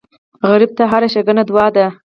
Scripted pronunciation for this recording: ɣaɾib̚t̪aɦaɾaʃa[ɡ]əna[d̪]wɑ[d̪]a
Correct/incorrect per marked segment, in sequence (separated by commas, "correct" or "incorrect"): correct, correct, correct